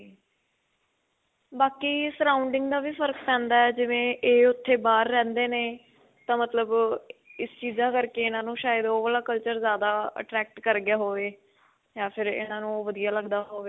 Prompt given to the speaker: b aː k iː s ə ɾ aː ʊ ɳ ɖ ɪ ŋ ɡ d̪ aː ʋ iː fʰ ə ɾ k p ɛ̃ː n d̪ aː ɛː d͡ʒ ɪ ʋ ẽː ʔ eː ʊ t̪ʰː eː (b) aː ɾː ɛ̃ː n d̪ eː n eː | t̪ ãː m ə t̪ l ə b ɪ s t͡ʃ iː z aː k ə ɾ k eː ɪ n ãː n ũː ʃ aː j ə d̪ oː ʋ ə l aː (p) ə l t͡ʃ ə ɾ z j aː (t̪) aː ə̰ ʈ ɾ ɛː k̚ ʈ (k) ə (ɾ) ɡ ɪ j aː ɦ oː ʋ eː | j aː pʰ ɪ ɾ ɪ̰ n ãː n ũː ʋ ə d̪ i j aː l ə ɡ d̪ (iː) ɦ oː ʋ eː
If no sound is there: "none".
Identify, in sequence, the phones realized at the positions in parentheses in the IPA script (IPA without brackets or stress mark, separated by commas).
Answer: b, k, d̪, k, ɾ, aː